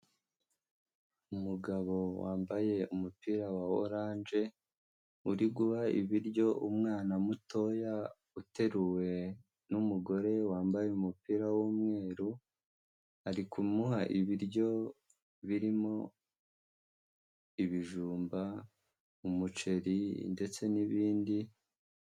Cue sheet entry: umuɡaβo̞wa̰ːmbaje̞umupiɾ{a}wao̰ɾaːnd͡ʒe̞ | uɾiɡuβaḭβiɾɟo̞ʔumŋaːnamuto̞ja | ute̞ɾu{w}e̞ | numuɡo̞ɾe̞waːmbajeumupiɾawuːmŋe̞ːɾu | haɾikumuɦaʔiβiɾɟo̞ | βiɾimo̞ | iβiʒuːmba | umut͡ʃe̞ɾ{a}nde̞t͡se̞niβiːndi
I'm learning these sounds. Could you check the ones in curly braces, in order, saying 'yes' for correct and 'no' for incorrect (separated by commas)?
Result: yes, yes, no